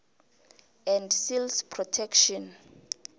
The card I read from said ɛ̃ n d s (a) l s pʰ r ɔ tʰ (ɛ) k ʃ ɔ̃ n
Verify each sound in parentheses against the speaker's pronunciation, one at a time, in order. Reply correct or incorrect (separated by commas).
incorrect, correct